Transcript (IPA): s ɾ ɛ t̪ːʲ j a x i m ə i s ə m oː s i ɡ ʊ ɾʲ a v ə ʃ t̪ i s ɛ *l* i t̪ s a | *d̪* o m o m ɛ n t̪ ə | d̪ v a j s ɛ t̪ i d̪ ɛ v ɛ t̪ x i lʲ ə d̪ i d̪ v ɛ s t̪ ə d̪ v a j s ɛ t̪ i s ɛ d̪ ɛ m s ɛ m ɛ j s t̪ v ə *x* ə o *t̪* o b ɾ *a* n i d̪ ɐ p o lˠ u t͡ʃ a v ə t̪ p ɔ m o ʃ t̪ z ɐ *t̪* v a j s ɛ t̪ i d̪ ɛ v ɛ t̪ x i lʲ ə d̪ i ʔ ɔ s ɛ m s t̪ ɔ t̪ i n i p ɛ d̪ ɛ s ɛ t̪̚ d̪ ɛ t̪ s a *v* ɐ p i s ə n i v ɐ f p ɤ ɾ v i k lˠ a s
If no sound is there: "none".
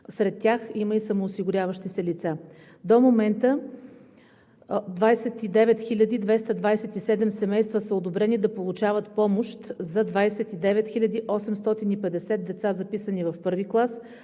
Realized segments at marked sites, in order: l, d̪, s, d̪, ɛ, d̪, z

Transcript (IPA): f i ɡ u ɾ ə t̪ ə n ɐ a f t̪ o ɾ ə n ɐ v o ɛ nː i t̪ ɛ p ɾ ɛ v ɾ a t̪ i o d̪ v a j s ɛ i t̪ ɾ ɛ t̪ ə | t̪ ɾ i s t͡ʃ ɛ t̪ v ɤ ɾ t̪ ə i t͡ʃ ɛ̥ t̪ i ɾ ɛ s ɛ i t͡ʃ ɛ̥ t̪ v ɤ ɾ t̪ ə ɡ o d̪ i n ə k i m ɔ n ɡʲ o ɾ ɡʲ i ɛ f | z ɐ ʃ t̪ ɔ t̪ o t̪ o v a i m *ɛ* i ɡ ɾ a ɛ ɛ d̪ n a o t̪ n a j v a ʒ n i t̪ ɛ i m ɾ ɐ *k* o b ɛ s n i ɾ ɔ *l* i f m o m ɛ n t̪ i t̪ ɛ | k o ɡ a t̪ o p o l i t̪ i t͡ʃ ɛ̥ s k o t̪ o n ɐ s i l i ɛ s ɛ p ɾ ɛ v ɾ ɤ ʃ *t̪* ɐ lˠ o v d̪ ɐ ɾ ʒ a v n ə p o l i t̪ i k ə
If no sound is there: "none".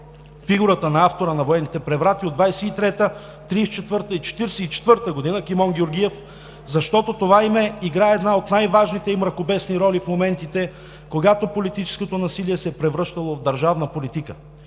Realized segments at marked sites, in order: ɛ, k, l, t̪

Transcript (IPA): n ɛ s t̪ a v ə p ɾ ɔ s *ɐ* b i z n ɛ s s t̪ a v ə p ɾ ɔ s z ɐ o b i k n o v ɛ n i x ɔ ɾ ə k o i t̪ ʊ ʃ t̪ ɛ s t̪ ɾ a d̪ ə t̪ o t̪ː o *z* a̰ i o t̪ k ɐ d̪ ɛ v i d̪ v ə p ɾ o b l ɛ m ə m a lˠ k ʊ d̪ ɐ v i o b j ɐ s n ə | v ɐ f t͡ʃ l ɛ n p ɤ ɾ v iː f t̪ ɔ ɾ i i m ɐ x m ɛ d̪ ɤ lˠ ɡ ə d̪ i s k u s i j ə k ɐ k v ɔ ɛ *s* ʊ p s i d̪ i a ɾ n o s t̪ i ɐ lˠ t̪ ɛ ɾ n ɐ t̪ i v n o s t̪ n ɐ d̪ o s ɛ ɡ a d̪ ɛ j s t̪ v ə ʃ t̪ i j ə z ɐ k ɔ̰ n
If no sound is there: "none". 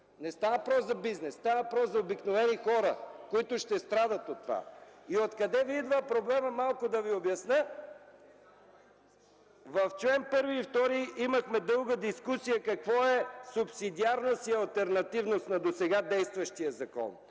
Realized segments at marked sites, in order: ɐ, v, s

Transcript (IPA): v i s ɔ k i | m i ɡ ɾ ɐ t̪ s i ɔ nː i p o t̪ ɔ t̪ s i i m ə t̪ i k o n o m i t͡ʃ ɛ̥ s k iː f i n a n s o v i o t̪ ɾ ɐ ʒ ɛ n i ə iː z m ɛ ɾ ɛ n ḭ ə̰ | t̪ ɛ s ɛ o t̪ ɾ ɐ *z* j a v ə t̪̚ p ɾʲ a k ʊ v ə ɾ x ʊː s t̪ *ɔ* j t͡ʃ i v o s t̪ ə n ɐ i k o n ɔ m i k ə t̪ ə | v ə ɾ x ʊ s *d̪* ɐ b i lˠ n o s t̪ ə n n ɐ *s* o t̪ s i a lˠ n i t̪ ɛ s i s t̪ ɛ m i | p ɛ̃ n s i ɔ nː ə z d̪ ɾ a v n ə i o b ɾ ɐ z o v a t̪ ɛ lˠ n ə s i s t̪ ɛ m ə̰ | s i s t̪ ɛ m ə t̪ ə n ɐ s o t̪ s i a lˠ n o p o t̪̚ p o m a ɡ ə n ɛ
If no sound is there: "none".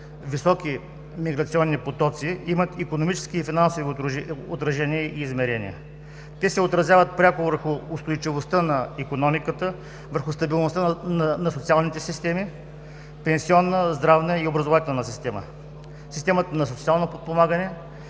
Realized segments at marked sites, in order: z, o, t̪, s

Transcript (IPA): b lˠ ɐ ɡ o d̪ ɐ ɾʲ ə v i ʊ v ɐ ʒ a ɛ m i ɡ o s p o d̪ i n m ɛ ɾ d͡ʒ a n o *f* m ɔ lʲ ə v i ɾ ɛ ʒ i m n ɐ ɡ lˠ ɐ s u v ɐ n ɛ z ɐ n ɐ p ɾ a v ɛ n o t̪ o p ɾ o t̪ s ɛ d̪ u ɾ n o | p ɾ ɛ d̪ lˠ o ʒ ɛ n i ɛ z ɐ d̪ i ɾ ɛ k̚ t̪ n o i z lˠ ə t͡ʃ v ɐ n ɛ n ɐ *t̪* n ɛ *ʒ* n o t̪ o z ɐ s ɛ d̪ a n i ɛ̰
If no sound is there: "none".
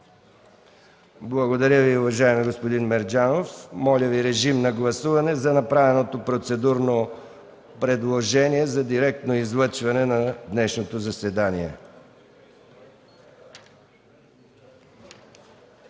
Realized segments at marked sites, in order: f, d̪, ʃ

